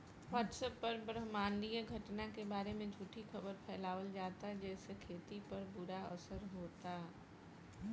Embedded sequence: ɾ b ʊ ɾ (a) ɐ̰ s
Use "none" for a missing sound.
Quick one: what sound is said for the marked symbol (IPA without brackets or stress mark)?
a